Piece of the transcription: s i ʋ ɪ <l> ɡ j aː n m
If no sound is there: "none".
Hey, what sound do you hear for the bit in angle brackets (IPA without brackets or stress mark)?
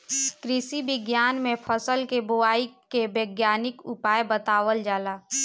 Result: none